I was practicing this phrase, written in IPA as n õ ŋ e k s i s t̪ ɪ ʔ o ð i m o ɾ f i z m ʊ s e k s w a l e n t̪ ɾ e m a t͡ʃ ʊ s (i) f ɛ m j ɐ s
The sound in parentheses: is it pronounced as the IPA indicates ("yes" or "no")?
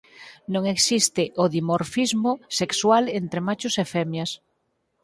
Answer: no